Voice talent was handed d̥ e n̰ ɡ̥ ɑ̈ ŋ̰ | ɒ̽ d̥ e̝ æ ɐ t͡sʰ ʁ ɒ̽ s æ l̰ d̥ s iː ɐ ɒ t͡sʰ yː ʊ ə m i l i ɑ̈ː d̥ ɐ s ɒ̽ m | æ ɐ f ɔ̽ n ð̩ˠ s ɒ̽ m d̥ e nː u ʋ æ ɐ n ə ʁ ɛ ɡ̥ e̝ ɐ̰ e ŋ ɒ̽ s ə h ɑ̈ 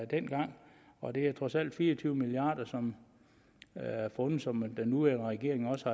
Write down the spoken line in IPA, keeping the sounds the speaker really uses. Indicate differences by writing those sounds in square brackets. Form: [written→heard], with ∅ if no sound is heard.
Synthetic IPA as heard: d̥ e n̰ ɡ̥ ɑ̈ ŋ̰ | ɒ̽ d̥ e̝ æ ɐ t͡sʰ ʁ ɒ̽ s æ l̰ d̥ [s→f] iː ɐ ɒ t͡sʰ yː ʊ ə m i l i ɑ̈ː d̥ ɐ s ɒ̽ m | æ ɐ f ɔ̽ n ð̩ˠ s ɒ̽ m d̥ e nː u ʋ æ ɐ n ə ʁ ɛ ɡ̥ e̝ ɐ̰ e ŋ ɒ̽ s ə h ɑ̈